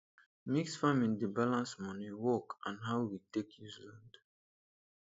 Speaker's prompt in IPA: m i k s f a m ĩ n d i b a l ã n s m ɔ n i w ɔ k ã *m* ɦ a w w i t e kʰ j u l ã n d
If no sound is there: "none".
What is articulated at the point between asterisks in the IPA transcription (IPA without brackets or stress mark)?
n